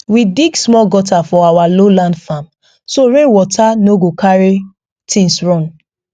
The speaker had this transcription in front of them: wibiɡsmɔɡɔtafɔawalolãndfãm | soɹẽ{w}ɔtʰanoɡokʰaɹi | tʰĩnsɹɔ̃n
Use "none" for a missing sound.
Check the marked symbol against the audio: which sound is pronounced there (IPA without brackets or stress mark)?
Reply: w